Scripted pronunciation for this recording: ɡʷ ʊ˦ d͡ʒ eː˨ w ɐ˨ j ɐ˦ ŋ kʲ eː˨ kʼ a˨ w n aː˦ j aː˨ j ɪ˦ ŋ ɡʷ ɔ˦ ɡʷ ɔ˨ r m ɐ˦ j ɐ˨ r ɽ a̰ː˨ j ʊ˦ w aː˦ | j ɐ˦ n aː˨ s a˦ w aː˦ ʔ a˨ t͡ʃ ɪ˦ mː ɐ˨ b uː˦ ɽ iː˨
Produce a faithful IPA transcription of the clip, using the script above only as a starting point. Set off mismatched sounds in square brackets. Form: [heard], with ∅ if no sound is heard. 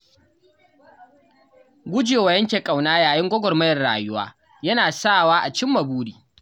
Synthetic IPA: ɡʷ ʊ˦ d͡ʒ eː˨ w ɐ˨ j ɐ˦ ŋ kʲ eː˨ kʼ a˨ w n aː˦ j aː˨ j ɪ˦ ŋ ɡʷ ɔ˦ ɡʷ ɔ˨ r m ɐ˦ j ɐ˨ r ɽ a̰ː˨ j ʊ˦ w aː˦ | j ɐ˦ n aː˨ s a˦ w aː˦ ʔ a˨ t͡ʃ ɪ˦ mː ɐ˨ b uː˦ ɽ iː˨